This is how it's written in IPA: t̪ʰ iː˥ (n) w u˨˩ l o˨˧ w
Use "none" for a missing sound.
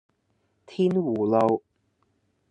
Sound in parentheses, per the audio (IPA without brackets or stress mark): n